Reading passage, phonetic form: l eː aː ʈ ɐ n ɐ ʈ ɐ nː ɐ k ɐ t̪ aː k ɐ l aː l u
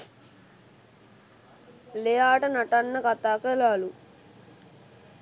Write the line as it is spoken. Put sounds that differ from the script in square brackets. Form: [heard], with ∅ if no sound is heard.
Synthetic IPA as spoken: l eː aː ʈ ɐ n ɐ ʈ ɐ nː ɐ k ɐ t̪ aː k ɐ l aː l u